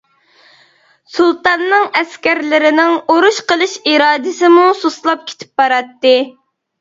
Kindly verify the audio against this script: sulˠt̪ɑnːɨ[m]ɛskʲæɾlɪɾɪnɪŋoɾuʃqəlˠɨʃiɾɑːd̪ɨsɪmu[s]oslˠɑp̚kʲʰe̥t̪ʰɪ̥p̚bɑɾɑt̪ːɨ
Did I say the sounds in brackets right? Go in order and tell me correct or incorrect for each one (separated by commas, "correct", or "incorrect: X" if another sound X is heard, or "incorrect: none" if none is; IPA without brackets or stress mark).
incorrect: ŋ, correct